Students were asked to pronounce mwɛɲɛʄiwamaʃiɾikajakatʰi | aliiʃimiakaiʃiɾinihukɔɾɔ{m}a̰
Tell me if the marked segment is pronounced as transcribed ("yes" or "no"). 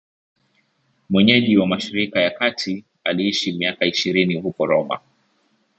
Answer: yes